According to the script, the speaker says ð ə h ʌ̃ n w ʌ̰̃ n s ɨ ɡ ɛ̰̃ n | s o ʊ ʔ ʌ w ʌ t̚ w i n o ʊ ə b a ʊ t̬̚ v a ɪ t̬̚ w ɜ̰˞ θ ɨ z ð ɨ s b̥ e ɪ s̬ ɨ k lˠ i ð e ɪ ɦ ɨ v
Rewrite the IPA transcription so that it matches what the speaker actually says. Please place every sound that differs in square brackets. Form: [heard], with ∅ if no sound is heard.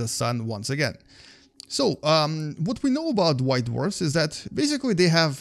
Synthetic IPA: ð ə [s] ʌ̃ n w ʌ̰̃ n s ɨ ɡ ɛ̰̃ n | s o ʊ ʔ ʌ w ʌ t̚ w i n o ʊ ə b a ʊ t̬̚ [w] a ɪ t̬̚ w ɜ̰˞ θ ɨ z ð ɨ [t] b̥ e ɪ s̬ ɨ k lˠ i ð e ɪ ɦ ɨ v